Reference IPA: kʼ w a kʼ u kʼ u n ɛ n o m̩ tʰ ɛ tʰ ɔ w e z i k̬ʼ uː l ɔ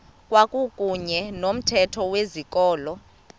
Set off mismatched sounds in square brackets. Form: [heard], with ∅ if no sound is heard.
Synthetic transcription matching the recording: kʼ w a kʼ u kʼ u [ɲ] ɛ n o m̩ tʰ ɛ tʰ ɔ w e z i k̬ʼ [ɔː] l ɔ